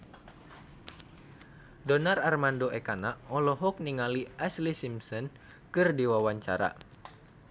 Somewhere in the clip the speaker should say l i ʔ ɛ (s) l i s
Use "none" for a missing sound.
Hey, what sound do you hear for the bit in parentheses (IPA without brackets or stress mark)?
s